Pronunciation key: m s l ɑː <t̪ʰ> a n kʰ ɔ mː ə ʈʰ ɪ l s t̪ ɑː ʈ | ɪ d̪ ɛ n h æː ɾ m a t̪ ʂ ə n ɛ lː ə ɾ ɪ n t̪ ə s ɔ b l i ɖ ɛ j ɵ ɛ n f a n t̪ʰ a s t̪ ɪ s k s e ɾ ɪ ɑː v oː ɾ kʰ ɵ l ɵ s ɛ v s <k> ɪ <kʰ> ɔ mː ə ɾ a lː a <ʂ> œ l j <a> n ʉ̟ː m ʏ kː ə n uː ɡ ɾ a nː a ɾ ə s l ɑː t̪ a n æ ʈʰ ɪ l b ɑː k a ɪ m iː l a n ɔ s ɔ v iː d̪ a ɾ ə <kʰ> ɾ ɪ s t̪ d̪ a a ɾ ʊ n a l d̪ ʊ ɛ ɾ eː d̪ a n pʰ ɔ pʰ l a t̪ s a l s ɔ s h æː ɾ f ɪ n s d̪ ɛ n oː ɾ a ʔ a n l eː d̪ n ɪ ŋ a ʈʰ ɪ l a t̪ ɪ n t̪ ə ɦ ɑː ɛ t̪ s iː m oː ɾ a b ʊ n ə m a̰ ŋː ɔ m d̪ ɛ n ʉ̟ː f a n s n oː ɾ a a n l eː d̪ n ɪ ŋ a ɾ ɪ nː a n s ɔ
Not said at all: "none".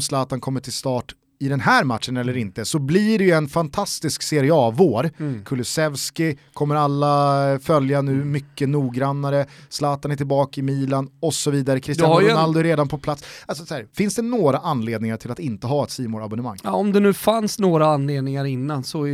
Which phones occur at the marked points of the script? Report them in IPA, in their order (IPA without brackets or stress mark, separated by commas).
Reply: t̪, k, kʰ, f, a, kʰ